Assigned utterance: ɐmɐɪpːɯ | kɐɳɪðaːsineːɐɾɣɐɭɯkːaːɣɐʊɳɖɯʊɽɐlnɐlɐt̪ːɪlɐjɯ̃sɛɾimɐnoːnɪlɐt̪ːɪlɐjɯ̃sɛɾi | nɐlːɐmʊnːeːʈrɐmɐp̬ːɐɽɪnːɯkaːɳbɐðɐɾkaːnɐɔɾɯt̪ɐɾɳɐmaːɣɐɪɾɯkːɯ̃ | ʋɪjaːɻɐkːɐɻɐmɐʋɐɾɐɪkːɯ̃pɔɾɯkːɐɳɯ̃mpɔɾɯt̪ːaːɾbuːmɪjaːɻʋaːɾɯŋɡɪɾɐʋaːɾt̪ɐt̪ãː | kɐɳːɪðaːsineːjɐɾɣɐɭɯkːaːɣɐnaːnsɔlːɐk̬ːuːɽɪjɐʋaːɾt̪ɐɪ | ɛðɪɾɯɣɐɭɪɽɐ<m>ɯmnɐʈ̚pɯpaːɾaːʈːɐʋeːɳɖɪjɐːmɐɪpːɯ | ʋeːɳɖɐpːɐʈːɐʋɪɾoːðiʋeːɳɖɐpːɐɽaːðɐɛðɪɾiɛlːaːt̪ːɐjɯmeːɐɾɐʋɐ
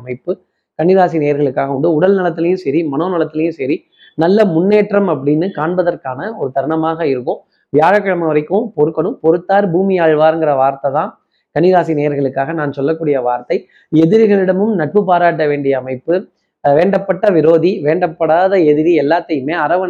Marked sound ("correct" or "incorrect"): correct